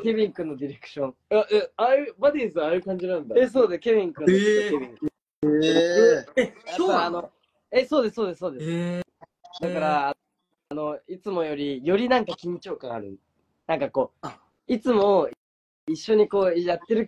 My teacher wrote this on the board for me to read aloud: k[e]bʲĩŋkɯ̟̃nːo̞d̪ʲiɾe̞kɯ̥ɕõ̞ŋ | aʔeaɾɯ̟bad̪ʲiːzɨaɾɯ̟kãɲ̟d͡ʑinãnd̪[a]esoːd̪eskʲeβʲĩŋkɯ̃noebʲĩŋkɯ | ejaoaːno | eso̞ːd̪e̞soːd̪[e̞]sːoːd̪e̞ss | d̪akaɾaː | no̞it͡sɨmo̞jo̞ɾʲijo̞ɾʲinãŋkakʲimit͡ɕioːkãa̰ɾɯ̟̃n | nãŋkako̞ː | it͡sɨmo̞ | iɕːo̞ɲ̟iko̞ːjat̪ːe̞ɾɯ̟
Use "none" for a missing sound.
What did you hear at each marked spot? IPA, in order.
e, a, e̞

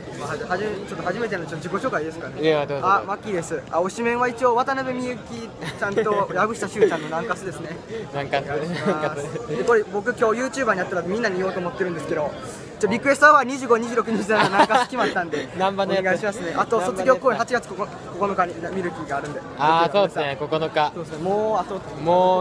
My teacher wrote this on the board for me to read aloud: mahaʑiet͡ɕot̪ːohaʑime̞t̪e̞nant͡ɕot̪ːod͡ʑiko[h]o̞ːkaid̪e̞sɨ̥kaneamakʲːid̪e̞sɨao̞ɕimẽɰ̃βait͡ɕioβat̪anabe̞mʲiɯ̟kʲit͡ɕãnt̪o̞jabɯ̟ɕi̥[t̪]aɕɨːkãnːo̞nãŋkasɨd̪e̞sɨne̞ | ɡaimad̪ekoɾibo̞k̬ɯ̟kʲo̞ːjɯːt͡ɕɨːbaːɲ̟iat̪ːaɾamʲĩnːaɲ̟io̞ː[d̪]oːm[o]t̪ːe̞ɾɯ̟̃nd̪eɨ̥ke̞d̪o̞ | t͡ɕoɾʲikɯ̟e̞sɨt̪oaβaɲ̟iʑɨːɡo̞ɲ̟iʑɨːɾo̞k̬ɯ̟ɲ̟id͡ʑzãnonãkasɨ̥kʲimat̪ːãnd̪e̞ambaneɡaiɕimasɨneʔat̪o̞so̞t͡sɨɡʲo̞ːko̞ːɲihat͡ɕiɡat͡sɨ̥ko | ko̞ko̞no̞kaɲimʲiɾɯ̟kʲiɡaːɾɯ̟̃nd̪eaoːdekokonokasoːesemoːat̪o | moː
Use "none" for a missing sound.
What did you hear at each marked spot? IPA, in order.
ɕ, t̪, t̪, o

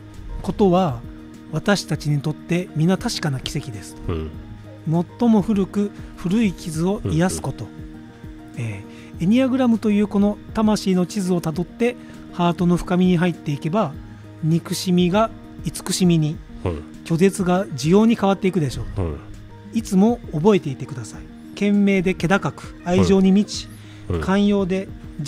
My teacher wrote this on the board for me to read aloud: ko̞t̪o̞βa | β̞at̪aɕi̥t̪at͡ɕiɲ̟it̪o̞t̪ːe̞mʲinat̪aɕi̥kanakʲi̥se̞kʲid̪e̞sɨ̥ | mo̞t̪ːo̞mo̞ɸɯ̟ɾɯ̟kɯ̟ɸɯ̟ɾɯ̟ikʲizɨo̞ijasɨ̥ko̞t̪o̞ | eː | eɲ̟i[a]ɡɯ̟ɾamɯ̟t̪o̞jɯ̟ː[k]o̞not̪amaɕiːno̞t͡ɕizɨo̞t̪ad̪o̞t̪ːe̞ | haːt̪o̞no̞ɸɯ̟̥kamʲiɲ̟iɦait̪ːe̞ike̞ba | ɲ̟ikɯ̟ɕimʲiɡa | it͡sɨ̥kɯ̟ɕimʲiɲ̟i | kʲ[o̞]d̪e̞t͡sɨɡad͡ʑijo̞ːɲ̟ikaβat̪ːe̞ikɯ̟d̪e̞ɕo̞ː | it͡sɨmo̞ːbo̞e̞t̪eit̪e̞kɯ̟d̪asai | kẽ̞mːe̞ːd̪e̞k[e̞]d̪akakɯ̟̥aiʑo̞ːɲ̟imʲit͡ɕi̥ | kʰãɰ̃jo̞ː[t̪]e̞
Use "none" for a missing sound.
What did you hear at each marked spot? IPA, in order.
a, k, o̞, e̞, d̪

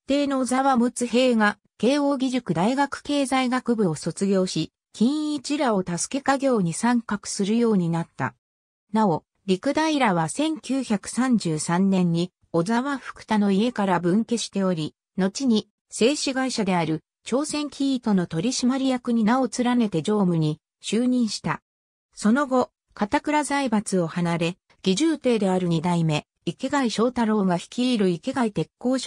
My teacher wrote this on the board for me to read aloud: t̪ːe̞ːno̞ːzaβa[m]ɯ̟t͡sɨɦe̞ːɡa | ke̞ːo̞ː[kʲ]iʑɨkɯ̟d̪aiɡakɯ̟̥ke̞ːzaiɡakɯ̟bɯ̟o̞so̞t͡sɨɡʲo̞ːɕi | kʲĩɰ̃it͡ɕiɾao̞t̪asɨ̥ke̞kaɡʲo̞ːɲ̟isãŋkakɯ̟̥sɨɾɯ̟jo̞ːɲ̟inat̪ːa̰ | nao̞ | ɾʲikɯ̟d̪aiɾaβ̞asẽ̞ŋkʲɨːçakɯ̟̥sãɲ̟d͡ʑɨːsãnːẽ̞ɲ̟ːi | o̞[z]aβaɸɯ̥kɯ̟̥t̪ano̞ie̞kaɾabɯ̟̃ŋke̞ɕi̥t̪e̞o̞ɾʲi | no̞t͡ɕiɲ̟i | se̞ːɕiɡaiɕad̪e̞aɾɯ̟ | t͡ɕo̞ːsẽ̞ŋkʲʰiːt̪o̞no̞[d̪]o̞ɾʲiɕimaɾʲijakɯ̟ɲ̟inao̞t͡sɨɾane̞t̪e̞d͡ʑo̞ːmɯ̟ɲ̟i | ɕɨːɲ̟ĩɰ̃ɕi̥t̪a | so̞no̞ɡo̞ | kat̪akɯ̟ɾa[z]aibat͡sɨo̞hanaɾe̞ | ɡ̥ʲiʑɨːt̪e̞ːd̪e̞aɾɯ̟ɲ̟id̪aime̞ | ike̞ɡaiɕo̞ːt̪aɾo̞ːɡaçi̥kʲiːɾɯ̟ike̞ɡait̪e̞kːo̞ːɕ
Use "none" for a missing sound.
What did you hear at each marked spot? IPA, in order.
m, ɡʲ, z, t̪, z

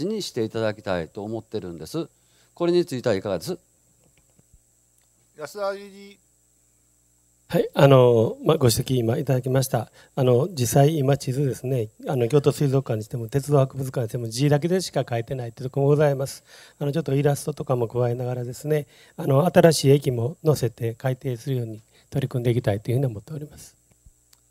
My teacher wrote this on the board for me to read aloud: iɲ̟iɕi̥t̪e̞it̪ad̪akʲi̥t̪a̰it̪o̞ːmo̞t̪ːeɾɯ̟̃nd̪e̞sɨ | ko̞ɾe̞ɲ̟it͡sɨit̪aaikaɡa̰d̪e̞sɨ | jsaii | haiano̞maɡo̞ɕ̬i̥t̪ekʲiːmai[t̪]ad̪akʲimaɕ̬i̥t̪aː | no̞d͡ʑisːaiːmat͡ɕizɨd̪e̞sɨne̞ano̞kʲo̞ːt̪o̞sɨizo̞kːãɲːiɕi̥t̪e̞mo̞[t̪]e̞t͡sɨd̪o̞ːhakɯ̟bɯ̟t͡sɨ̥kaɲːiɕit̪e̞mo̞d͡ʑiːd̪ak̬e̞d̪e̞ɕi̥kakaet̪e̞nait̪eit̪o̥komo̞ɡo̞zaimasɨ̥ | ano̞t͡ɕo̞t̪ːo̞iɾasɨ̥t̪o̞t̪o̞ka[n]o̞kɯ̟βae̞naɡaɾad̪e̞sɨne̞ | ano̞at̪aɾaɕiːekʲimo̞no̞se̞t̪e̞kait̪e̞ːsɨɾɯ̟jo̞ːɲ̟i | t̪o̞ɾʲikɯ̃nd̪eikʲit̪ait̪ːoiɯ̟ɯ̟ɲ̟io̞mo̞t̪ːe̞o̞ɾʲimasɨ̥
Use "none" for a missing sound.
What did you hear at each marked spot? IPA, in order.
t̪, t̪, m

